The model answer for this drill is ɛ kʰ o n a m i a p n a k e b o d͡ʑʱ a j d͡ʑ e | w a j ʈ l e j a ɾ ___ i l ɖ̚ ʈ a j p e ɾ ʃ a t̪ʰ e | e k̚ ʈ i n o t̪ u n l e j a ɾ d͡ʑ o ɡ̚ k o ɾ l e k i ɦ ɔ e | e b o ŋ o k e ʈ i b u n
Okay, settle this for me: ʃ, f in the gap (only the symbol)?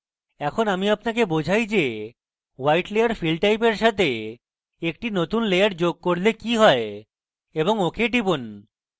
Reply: f